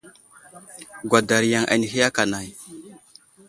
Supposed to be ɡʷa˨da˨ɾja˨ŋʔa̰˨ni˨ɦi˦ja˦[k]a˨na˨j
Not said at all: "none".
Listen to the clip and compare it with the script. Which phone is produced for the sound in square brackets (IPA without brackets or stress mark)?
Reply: k